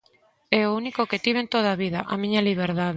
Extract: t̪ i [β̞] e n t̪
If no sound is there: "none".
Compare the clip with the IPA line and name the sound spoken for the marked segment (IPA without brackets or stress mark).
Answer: β̞